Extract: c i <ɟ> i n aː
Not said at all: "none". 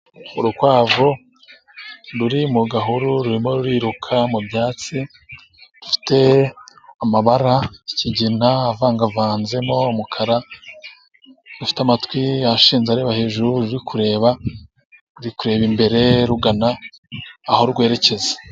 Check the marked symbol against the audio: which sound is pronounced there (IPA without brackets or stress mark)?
ɟ